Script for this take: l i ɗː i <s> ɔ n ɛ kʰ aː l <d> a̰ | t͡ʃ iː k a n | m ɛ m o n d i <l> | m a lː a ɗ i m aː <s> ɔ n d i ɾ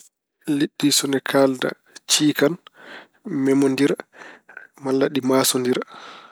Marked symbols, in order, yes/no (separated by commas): yes, yes, no, yes